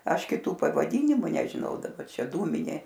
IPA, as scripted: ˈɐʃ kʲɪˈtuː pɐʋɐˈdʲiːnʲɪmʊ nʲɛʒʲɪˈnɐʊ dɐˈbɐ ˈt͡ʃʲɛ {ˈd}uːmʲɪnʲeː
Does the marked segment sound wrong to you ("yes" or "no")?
no